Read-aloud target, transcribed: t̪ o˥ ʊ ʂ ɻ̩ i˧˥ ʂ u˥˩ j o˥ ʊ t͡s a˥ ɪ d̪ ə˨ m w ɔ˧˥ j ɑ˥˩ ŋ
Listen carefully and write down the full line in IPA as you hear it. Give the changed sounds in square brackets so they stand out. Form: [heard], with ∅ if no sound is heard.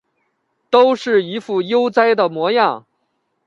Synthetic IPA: t̪ o˥ ʊ ʂ ɻ̩ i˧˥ [f] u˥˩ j o˥ ʊ t͡s a˥ ɪ d̪ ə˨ m w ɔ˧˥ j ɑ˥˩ ŋ